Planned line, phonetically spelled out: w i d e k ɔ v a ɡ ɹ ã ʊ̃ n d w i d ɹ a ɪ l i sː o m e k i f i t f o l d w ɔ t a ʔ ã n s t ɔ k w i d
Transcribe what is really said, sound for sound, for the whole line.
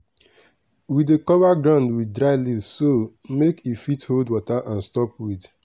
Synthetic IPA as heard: w i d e k ɔ v a ɡ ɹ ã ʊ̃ n d w i d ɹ a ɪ l i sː o m e k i f i t h o l d w ɔ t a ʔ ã n s t ɔ p w i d